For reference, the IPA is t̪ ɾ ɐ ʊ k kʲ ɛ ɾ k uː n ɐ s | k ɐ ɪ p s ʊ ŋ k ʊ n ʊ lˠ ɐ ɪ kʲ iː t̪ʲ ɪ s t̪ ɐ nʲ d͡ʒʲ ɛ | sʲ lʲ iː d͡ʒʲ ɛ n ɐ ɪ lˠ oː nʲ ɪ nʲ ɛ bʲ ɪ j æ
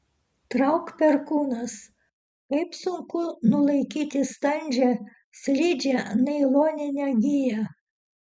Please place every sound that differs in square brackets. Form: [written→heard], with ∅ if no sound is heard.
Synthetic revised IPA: t̪ ɾ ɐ ʊ k [kʲ→pʲ] ɛ ɾ k uː n ɐ s | k ɐ ɪ p s ʊ ŋ k ʊ n ʊ lˠ ɐ ɪ kʲ iː t̪ʲ ɪ s t̪ ɐ nʲ d͡ʒʲ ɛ | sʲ lʲ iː d͡ʒʲ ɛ n ɐ ɪ lˠ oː nʲ ɪ nʲ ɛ [bʲ→ɡʲ] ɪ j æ